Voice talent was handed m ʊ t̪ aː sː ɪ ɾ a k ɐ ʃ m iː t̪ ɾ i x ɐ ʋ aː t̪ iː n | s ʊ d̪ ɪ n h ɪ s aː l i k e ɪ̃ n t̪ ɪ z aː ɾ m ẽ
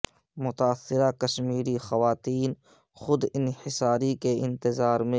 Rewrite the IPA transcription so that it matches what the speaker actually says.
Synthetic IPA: m ʊ t̪ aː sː ɪ ɾ a k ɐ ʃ m iː ɾ i x ɐ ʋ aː t̪ iː n | x ʊ d̪ ɪ n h ɪ s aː ɾ i k e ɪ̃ n t̪ ɪ z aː ɾ m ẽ